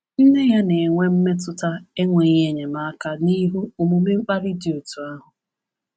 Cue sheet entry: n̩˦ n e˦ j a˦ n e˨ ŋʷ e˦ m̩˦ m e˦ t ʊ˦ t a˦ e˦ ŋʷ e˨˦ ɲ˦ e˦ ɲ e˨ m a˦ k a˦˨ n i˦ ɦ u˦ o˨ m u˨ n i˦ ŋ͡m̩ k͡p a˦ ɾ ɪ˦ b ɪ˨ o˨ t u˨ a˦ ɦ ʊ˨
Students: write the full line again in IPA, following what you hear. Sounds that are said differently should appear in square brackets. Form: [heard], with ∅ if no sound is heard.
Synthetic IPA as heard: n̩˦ n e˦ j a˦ n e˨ ŋʷ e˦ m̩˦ m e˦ t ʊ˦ t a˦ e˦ ŋʷ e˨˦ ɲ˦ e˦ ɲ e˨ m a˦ k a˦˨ n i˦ ɦ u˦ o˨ m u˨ [m] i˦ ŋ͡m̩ k͡p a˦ ɾ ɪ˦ [d] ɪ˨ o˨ t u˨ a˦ ɦ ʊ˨